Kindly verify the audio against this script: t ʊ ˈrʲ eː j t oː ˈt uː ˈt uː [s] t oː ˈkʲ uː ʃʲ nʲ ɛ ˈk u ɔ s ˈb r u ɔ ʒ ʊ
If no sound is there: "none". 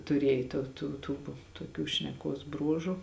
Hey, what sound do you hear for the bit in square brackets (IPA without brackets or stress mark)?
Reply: none